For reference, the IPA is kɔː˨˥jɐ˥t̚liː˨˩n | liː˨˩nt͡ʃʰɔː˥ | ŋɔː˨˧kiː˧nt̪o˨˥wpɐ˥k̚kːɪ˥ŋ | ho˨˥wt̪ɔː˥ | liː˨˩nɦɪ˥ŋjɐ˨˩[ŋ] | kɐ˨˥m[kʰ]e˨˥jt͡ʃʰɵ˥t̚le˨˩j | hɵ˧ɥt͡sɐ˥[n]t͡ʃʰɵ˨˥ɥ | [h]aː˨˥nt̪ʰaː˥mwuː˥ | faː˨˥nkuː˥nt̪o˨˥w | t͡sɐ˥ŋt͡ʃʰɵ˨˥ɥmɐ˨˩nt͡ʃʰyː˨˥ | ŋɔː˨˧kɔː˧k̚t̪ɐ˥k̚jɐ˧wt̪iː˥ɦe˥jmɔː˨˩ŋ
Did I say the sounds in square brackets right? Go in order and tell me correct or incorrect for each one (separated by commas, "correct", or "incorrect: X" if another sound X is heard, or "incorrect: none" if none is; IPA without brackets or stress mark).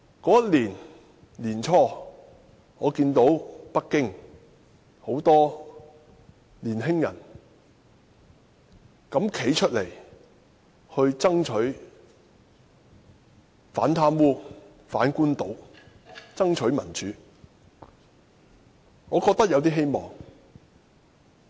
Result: incorrect: n, correct, incorrect: ŋ, incorrect: f